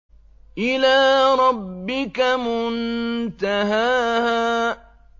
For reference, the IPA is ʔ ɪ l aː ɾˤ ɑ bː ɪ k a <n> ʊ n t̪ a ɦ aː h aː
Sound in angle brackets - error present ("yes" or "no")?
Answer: yes